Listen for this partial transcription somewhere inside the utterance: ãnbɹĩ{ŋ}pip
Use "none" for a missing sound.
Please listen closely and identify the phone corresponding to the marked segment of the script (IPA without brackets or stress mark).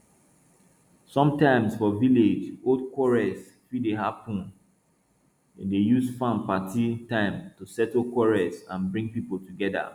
ŋ